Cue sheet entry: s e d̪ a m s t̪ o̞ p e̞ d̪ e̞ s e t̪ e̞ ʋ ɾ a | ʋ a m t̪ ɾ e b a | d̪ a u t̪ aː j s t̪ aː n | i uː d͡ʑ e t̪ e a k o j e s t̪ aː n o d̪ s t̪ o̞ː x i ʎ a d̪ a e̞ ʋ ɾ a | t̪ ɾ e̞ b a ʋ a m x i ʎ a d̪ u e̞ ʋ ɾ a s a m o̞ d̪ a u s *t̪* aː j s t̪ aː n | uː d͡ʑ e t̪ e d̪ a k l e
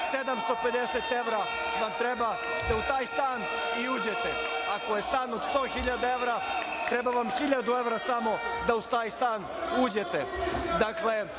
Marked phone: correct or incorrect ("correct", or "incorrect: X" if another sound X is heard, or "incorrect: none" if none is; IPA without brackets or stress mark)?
correct